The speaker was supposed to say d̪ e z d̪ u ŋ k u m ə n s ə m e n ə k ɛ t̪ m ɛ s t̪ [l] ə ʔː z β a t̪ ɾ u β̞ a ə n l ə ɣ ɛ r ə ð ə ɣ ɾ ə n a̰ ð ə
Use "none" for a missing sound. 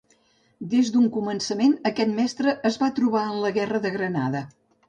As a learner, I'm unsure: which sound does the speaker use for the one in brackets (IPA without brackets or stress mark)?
ɾ